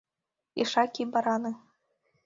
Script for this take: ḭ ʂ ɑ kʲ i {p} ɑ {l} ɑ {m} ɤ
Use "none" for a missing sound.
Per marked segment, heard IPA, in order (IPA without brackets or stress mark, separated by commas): b, ɾ, n